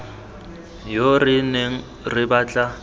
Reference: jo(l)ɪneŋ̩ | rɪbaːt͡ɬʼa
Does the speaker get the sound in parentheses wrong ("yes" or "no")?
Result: yes